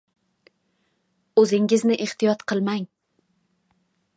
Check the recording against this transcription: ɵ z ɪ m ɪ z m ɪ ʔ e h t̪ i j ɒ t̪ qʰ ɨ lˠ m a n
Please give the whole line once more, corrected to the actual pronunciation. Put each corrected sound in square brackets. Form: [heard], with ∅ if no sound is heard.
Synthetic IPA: ɵ z ɪ [ŋ] ɪ z [n] ɪ ʔ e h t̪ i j ɒ t̪ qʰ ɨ lˠ m a [ŋ]